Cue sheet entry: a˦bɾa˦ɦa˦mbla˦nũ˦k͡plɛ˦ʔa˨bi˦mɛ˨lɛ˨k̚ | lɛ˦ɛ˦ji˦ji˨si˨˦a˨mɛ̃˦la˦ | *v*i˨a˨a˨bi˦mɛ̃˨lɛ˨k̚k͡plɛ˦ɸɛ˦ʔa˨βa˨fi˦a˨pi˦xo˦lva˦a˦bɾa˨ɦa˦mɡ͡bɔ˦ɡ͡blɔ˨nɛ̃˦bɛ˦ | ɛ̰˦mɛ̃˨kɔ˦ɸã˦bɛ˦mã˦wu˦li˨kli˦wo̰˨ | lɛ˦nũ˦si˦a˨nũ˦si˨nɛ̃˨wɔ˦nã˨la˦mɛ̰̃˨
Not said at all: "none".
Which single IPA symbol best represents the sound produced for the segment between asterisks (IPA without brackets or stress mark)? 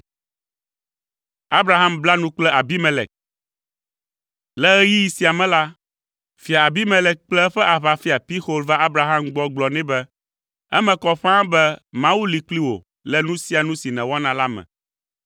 f